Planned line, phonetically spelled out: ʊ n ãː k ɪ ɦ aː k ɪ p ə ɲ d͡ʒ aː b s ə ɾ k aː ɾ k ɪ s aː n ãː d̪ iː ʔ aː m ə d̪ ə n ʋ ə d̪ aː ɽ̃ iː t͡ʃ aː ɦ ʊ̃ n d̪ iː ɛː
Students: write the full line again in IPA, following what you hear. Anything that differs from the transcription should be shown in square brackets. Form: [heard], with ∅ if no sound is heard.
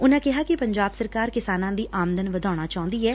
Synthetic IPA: ʊ n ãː k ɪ ɦ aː k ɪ p ə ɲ d͡ʒ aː b s ə ɾ k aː ɾ k ɪ s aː n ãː d̪ iː ʔ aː m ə d̪ ə n ʋ ə d̪ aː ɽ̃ [aː] t͡ʃ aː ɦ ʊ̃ n d̪ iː ɛː